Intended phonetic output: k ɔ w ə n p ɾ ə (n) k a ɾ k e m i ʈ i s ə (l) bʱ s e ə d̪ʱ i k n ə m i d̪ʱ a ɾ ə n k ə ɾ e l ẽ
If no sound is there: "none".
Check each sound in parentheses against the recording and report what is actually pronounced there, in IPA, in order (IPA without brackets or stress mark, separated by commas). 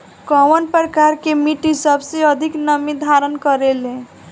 none, none